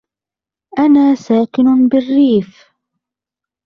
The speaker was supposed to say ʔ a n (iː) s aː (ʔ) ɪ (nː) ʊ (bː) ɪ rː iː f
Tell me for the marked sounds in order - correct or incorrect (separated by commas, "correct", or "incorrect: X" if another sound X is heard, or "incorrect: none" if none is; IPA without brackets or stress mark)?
incorrect: aː, incorrect: k, incorrect: n, incorrect: b